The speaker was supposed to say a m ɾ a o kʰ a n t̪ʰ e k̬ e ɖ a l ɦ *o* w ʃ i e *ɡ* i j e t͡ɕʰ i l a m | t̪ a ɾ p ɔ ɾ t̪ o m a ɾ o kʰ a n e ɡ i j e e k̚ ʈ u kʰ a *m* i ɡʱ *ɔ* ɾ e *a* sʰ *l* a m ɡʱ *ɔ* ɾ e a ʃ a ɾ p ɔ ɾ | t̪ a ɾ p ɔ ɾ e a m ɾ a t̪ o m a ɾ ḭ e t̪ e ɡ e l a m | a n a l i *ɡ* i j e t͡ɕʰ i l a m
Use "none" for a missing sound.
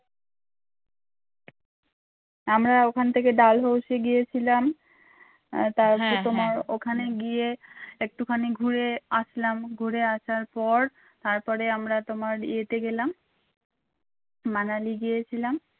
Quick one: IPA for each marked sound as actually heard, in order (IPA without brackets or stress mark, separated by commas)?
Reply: o, ɡ, n, u, a, l, u, ɡ